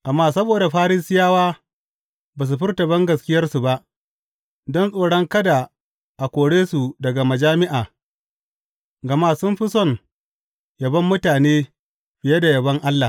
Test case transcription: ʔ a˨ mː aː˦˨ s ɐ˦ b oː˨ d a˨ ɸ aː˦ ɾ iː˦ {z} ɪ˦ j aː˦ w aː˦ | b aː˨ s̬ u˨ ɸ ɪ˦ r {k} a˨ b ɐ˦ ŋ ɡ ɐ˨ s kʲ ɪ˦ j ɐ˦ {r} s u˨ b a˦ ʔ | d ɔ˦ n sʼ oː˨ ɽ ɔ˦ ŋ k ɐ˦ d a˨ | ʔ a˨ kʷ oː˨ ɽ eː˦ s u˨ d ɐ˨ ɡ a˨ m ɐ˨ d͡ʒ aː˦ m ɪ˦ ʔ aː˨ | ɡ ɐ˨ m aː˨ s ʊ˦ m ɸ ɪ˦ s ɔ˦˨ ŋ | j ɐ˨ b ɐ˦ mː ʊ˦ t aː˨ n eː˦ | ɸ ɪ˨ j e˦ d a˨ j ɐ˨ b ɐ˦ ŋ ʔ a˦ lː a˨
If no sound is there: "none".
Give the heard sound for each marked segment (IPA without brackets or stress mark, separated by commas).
s, t, r